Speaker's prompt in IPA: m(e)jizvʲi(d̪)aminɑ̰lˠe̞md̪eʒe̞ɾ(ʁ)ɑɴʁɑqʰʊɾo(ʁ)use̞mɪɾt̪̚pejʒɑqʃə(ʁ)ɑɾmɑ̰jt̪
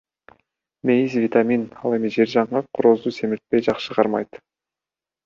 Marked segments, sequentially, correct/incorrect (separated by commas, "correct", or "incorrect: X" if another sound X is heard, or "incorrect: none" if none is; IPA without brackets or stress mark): correct, incorrect: t̪, incorrect: ʒ, incorrect: z, correct